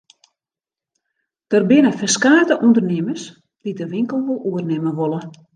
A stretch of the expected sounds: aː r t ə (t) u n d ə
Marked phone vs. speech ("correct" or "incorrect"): incorrect